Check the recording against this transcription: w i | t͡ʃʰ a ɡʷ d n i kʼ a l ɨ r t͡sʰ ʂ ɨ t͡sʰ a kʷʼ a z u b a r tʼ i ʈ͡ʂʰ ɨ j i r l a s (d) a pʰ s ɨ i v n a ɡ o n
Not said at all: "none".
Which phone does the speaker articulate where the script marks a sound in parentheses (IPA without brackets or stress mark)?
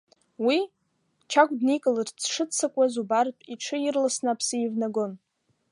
n